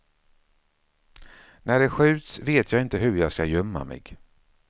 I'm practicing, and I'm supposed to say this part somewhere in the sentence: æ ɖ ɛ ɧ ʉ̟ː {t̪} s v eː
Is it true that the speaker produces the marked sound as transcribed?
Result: yes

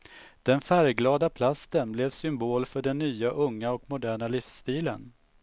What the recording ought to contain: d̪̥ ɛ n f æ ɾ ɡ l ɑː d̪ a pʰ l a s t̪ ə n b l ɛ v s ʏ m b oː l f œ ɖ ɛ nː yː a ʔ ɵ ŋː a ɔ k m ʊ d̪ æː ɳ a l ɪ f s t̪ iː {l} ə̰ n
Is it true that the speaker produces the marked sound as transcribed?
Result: yes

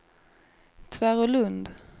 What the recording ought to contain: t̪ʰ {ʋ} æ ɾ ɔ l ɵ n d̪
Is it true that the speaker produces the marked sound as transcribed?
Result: no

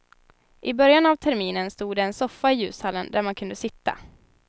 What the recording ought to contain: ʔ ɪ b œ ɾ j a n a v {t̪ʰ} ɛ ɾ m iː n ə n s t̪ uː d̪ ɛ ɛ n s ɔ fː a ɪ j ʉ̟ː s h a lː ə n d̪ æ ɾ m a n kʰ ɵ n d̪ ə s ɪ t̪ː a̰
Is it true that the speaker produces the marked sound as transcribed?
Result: yes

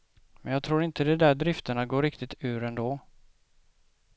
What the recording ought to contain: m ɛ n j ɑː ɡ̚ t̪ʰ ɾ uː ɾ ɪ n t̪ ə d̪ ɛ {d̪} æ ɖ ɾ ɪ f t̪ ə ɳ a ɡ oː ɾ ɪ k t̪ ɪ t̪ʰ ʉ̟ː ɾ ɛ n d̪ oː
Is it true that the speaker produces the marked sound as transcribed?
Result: yes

